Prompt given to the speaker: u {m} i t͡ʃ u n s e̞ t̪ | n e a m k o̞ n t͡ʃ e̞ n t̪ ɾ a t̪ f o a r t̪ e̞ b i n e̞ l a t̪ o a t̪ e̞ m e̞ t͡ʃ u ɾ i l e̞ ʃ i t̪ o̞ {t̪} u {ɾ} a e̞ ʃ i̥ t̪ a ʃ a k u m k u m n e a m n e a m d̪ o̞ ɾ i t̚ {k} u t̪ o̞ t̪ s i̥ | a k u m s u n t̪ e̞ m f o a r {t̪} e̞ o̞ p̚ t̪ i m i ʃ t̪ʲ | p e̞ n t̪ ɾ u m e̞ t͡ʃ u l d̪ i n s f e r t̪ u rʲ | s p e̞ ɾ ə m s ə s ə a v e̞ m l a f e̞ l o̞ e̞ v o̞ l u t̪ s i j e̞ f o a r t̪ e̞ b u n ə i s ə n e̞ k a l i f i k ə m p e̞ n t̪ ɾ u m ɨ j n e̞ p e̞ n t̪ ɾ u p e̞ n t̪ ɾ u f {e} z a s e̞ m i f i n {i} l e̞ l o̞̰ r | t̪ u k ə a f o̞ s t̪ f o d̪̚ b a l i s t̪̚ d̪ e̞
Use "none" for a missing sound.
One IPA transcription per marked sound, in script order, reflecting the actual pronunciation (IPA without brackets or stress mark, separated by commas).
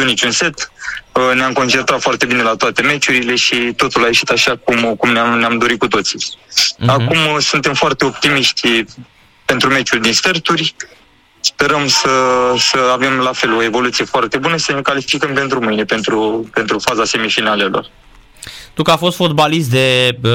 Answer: n, t̪, l, k, t̪, a, a